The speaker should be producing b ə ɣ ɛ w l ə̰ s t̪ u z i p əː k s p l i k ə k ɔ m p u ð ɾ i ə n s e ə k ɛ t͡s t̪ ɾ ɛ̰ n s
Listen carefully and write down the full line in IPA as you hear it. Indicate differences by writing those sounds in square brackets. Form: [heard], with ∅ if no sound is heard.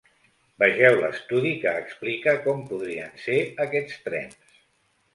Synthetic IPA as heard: b ə [ʒ] ɛ w l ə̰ s t̪ u [ð] i [k] əː k s p l i k ə k ɔ m p u ð ɾ i ə n s e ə k ɛ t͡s t̪ ɾ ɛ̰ n s